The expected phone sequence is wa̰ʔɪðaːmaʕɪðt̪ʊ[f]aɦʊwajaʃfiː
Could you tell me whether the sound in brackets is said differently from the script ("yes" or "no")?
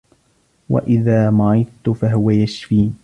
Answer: no